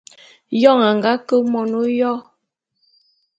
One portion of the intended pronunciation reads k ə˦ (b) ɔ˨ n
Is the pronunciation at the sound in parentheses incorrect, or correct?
incorrect